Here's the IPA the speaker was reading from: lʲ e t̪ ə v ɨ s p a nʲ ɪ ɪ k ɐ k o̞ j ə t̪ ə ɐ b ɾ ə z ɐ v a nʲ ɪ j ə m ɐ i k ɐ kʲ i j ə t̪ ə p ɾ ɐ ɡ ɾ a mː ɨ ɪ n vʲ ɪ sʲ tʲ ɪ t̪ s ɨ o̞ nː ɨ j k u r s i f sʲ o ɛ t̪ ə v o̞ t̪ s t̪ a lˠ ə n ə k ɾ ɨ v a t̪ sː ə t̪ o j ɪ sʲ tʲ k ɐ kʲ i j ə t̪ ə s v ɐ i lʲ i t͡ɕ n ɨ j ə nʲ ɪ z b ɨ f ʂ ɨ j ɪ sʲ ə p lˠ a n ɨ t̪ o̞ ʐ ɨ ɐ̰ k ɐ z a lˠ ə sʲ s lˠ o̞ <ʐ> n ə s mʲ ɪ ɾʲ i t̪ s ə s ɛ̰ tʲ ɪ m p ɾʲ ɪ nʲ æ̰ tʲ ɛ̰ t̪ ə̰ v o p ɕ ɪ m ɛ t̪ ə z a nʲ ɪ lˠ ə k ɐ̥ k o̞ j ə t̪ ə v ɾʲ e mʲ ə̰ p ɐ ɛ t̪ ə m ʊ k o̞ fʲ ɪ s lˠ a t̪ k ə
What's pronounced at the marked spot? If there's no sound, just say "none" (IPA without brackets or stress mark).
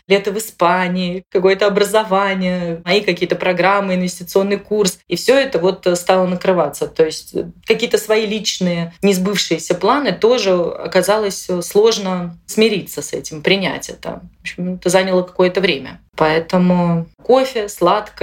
ʐ